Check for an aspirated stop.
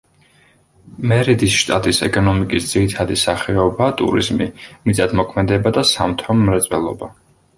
present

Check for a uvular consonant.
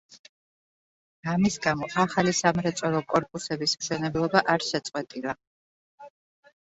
present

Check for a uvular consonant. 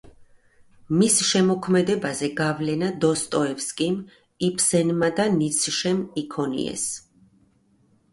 absent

